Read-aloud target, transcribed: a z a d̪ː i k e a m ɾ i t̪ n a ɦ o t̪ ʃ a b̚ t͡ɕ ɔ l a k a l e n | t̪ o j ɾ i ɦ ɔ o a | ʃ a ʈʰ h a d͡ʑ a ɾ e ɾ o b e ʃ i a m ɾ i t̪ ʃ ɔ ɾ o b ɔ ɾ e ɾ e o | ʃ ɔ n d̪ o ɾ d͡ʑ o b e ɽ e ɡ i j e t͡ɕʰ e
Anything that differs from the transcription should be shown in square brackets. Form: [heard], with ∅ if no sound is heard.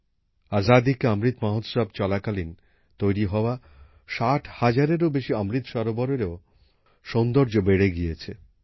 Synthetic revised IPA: a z a [d̪] i k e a m ɾ i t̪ [m] a ɦ o t̪ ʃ a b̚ t͡ɕ ɔ l a k a l [i] n | t̪ o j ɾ i ɦ ɔ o a | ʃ a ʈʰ h a d͡ʑ a ɾ e ɾ o b e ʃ i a m ɾ i t̪ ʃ ɔ ɾ o b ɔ ɾ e ɾ e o | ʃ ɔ n d̪ o ɾ d͡ʑ o b e ɽ e ɡ i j e t͡ɕʰ e

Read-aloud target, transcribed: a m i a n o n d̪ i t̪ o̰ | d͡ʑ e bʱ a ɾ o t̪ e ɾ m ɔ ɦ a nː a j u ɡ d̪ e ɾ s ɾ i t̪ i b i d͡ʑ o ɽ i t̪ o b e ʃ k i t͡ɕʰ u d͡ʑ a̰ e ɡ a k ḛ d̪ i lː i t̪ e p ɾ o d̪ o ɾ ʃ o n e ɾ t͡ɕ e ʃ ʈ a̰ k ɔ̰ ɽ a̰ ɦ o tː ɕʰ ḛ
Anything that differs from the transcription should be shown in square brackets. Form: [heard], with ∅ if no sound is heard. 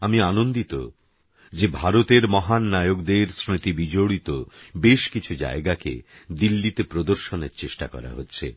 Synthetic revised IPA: a m i a n o n d̪ i t̪ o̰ | d͡ʑ e bʱ a ɾ o t̪ e ɾ m ɔ ɦ a nː a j [o] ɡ d̪ e ɾ s ɾ i t̪ i b i d͡ʑ o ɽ i t̪ o b e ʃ k i t͡ɕʰ u d͡ʑ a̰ e ɡ a k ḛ d̪ i lː i t̪ e p ɾ o d̪ o ɾ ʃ o n e ɾ t͡ɕ e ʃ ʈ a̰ k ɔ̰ [ɾ] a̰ ɦ o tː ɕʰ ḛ

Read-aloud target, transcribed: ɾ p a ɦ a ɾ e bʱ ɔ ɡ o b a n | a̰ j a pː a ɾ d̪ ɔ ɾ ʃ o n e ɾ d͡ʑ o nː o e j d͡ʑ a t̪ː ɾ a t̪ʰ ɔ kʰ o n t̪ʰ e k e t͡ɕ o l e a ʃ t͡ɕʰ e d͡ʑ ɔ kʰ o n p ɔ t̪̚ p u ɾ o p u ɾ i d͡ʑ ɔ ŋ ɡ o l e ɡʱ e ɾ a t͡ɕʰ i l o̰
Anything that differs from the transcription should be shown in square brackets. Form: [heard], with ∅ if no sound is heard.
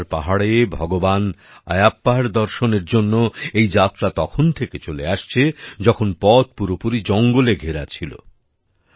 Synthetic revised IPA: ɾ p a ɦ a [ɽ] e bʱ ɔ ɡ o b a n | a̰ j a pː a ɾ d̪ ɔ ɾ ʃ o n e ɾ d͡ʑ o nː o e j d͡ʑ a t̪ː ɾ a [t̪] ɔ kʰ o n t̪ʰ e k e t͡ɕ o l e a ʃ t͡ɕʰ e d͡ʑ ɔ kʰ o n p ɔ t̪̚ p u ɾ o p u ɾ i d͡ʑ ɔ ŋ ɡ o l e ɡʱ e ɾ a t͡ɕʰ i l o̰

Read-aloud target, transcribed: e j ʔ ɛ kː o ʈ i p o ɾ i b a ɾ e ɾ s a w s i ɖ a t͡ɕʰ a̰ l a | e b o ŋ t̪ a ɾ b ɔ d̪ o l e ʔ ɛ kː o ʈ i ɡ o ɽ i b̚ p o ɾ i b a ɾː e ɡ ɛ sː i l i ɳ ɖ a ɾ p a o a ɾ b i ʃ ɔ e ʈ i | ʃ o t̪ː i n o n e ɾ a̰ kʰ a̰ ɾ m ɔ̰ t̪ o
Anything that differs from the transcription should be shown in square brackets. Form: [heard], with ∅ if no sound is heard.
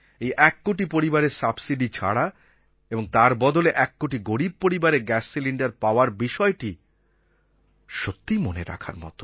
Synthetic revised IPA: e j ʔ ɛ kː o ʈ i p o ɾ i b a ɾ e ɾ s a [b] s i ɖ [i] t͡ɕʰ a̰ [ɽ] a | e b o ŋ t̪ a ɾ b ɔ d̪ o l e ʔ ɛ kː o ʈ i ɡ o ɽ i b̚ p o ɾ i b a [ɾ] e ɡ ɛ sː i l i ɳ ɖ a ɾ p a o a ɾ b i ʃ ɔ e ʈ i | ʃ o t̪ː i [m] o n e ɾ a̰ kʰ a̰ ɾ m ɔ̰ t̪ o

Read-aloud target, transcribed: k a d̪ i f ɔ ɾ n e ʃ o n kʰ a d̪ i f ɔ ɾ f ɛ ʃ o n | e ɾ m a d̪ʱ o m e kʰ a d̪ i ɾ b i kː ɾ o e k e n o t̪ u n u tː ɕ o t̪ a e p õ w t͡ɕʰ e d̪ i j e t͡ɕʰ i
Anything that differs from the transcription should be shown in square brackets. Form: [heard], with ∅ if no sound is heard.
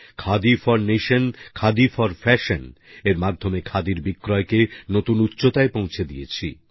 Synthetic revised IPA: [kʰ] a d̪ i f ɔ ɾ n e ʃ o n kʰ a d̪ i f ɔ ɾ f ɛ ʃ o n | e ɾ m a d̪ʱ o m e kʰ a d̪ i ɾ b i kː ɾ [ɔ] e k e n o t̪ u n u tː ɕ o t̪ a e p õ w t͡ɕʰ e d̪ i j e t͡ɕʰ i

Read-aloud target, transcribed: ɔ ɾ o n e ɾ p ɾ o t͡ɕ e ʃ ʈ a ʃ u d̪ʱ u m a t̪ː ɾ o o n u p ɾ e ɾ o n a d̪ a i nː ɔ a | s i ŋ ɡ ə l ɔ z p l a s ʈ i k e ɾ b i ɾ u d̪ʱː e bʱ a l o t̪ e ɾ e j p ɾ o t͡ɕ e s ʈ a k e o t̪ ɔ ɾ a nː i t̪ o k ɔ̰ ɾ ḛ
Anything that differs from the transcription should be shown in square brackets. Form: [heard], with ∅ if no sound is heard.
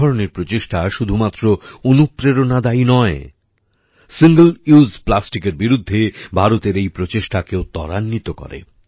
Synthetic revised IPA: ɔ ɾ o n e ɾ p ɾ o t͡ɕ e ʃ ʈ a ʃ u d̪ʱ u m a t̪ː ɾ o o n u p ɾ e ɾ o n a d̪ a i [n] ɔ [e] | s i ŋ ɡ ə l [u] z p l a s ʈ i k e ɾ b i ɾ u d̪ʱː e bʱ a [ɾ] o t̪ e ɾ e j p ɾ o t͡ɕ e [ʃ] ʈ a k e o t̪ ɔ ɾ a nː i t̪ o k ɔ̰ ɾ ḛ

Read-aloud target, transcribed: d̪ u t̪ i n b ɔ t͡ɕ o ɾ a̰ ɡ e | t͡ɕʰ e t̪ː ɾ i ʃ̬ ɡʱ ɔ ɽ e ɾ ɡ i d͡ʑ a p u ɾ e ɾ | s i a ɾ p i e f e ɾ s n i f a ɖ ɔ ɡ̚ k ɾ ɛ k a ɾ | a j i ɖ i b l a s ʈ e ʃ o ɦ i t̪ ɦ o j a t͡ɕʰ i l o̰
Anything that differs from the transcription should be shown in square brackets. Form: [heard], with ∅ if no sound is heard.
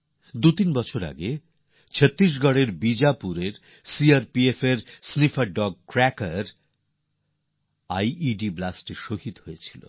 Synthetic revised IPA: d̪ u t̪ i n b ɔ [t͡ɕʰ] o ɾ a̰ ɡ e | t͡ɕʰ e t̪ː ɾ i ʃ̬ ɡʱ ɔ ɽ e ɾ [b] i d͡ʑ a p u ɾ e ɾ | s i a ɾ p i e f e ɾ s n i f a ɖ ɔ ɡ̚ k ɾ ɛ k a ɾ | a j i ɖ i b l a s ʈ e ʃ o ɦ i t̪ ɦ o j [e] t͡ɕʰ i l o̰

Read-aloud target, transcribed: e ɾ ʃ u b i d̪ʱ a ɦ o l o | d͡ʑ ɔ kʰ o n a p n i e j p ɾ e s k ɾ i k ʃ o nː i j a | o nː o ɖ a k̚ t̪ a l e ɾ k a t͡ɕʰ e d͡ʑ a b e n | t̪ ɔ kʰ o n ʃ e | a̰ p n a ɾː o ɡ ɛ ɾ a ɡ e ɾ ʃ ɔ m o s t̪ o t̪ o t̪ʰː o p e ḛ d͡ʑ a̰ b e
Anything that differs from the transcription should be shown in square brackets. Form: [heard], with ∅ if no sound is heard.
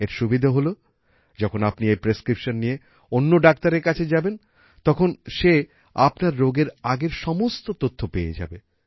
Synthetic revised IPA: e ɾ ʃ u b i d̪ʱ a ɦ o l o | d͡ʑ ɔ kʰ o n a p n i e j p ɾ e s k ɾ i [p] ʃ o nː i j [e] | o nː o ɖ a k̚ t̪ a [ɾ] e ɾ k a t͡ɕʰ e d͡ʑ a b e n | t̪ ɔ kʰ o n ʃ e | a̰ p n a ɾː o ɡ [e] ɾ a ɡ e ɾ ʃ ɔ m o s t̪ o t̪ o t̪ʰː o p e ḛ d͡ʑ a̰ b e

